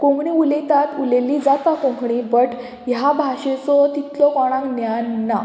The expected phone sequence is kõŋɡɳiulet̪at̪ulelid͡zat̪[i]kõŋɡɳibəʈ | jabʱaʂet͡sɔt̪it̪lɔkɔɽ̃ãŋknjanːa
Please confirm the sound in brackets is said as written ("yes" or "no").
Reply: no